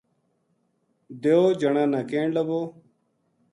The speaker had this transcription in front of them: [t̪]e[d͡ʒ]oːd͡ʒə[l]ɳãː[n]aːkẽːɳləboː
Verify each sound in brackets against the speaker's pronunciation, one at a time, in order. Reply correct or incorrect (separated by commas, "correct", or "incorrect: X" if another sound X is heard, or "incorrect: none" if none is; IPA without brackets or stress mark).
incorrect: d̪, incorrect: none, incorrect: none, correct